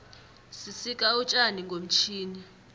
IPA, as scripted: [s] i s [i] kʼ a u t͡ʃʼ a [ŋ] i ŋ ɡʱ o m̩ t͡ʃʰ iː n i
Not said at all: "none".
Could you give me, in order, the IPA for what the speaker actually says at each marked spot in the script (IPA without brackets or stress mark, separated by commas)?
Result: s, i, n